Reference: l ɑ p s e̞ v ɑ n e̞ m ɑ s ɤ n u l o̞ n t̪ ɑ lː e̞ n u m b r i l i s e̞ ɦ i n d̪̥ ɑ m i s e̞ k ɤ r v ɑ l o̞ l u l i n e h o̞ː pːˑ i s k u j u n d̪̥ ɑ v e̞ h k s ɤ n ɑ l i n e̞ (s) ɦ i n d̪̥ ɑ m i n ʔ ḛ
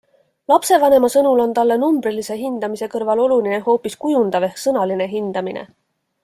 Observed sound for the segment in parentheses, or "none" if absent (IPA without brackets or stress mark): none